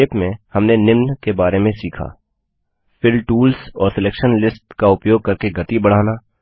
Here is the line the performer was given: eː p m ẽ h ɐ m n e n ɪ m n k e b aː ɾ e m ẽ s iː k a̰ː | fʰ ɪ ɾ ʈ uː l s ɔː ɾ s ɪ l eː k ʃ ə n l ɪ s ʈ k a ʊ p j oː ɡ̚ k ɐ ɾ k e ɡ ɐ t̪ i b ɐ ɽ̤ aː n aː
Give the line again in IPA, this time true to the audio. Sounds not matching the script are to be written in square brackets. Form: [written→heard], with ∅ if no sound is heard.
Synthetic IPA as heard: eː p m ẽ h ɐ m n e n ɪ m n k e b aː ɾ e m ẽ s iː [k→kʰ] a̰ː | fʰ ɪ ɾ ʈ uː l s ɔː ɾ s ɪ l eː k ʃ ə n l ɪ s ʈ k a ʊ p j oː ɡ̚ k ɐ ɾ k e ɡ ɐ t̪ i b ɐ ɽ̤ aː n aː